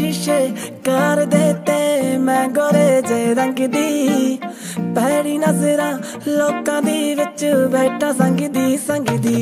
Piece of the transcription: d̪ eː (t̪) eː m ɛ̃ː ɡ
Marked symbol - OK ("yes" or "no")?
yes